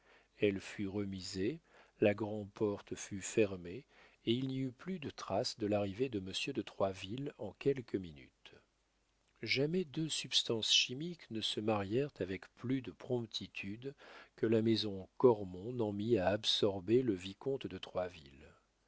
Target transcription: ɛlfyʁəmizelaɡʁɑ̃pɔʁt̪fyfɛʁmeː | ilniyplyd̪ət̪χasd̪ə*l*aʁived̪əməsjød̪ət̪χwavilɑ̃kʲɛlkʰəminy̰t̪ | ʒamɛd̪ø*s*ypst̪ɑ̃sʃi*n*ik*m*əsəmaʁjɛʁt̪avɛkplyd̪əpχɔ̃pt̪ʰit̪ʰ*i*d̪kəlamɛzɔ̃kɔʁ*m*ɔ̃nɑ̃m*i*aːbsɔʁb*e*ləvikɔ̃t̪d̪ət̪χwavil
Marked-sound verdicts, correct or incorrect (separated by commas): correct, correct, incorrect, incorrect, incorrect, correct, correct, correct